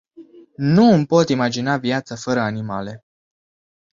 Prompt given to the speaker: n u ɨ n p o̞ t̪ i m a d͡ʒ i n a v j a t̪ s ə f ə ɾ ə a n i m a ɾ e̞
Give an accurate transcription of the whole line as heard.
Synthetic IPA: n u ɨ m p o̞ t̪ i m a d͡ʒ i n a v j a t̪ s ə f ə ɾ ə a n i m a l e̞